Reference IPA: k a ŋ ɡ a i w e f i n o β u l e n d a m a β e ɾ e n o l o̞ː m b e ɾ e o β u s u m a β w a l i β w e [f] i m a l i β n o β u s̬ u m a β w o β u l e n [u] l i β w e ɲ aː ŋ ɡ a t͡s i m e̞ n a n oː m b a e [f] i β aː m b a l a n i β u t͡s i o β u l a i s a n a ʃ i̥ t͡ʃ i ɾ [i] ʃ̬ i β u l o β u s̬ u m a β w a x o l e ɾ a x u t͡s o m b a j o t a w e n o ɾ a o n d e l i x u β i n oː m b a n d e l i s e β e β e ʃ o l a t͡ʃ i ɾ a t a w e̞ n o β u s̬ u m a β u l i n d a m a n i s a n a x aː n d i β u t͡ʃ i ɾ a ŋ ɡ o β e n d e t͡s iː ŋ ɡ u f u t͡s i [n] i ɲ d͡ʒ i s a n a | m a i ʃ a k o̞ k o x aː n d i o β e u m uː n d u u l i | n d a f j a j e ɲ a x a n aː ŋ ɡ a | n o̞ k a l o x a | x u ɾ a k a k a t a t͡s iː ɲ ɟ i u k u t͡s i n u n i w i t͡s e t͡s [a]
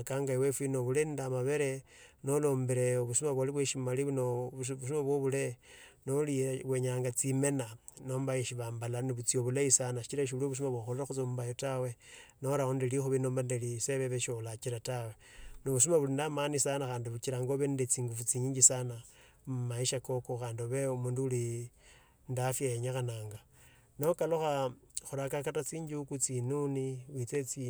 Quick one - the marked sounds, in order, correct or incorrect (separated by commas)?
incorrect, incorrect, incorrect, incorrect, incorrect, incorrect